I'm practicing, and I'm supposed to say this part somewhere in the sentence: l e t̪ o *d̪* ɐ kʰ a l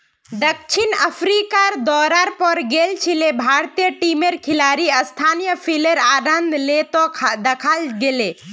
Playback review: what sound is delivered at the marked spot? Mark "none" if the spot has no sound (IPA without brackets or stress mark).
d̪